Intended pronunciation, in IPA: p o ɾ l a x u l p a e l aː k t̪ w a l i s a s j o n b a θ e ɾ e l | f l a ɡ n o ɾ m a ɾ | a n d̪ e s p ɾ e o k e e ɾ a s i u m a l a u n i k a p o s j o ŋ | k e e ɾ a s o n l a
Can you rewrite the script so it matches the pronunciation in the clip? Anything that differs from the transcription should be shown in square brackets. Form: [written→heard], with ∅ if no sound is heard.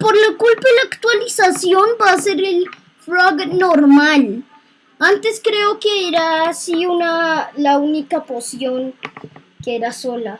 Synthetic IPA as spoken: p o ɾ l a [x→k] u l p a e l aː k t̪ w a l i s a s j o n b a [θ→s] e ɾ e l | f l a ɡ n o ɾ m a [ɾ→l] | a n [d̪→t̪] e s [p→k] ɾ e o k e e ɾ a s i u [m→n] a l a u n i k a p o s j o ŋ | k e e ɾ a s o [n→∅] l a